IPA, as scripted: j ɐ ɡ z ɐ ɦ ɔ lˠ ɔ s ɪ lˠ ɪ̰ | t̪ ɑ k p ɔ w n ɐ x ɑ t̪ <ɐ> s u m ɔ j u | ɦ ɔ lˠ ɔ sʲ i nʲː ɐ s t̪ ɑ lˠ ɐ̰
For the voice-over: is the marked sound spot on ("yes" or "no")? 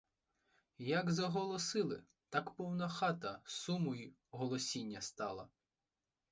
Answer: yes